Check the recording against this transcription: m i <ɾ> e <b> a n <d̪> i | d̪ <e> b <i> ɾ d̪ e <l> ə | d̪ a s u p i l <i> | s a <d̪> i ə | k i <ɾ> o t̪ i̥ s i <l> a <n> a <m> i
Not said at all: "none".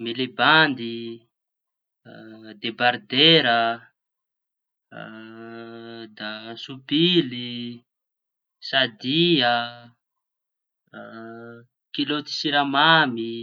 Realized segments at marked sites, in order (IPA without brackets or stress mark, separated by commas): l, b, d̪, e, a, ɾ, i, d̪, l, ɾ, m, m